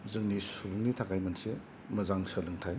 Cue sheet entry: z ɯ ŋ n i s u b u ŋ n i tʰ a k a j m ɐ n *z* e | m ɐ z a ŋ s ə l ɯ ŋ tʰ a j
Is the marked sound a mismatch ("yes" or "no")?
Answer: yes